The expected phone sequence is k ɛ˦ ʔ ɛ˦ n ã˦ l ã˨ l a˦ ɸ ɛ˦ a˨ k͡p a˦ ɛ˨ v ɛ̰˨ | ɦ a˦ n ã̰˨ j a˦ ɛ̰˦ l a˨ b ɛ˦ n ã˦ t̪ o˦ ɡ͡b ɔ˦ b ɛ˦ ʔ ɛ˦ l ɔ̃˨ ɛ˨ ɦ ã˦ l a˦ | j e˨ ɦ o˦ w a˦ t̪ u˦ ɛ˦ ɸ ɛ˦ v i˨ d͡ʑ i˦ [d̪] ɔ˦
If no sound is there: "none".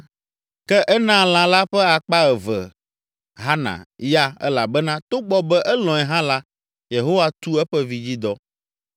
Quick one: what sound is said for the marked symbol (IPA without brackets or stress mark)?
d̪